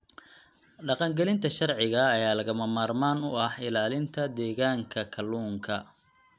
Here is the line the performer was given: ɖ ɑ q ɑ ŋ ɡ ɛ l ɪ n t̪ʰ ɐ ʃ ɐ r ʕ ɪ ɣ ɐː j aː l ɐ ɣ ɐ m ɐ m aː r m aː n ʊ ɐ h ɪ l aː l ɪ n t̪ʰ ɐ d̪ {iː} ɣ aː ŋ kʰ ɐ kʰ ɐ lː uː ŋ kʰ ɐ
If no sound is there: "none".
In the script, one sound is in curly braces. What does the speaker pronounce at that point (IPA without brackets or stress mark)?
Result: ɛː